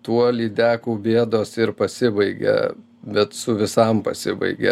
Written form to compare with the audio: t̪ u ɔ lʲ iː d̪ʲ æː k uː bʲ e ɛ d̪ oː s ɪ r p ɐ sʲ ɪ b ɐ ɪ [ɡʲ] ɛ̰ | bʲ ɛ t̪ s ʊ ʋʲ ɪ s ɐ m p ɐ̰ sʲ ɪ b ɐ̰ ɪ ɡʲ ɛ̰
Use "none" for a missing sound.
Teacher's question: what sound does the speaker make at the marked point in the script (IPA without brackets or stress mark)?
ɡʲ